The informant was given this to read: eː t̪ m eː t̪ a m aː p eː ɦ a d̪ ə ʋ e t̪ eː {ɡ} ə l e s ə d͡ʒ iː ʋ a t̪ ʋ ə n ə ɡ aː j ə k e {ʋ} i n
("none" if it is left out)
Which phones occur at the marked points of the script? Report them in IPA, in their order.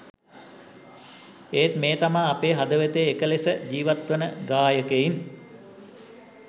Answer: k, none

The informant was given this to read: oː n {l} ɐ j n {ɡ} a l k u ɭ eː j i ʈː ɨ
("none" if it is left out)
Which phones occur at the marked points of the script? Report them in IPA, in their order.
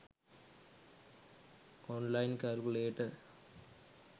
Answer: l, k

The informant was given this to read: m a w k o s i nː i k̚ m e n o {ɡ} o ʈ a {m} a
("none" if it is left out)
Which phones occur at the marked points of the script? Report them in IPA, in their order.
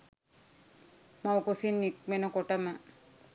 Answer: k, m

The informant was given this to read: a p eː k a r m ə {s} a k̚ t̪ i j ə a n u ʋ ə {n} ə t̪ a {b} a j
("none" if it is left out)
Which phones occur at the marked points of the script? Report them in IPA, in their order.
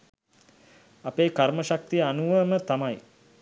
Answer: ʃ, m, m

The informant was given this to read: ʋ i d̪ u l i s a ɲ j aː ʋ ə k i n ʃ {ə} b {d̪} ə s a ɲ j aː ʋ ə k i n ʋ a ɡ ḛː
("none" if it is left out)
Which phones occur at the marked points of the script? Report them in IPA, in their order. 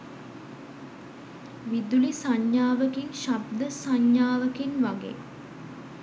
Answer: a, d̪

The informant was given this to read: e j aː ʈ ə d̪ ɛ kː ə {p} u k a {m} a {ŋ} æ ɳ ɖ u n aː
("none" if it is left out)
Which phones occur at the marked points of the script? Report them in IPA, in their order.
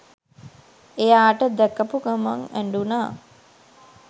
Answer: p, m, ŋ

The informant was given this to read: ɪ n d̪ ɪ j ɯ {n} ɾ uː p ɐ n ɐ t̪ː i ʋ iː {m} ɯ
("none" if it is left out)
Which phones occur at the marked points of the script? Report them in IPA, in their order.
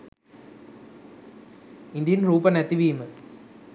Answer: n, m

